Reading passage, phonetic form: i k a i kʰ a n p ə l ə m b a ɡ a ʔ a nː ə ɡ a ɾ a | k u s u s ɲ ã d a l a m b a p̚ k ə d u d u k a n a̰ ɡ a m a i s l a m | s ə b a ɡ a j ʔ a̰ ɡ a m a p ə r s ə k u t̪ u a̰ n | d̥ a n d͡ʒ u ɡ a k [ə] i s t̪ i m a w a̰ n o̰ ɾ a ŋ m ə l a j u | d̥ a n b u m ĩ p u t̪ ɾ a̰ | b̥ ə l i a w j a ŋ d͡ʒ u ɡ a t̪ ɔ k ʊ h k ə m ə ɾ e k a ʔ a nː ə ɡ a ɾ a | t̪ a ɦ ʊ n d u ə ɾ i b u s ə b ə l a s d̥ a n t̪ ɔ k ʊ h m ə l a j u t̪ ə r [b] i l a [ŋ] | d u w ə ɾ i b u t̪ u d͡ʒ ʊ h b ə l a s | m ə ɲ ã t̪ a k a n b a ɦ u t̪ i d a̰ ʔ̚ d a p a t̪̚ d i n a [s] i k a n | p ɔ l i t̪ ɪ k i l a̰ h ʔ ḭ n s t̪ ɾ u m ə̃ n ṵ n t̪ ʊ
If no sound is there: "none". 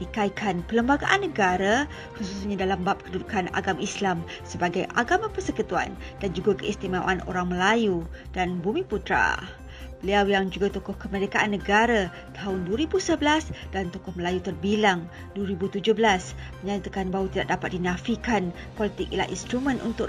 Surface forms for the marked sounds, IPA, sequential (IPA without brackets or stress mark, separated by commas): ə, b, ŋ, f